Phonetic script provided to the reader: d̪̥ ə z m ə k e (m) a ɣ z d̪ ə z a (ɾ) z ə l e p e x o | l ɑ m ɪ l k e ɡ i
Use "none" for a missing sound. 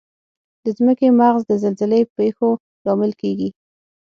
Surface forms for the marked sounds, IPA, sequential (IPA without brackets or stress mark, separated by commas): m, l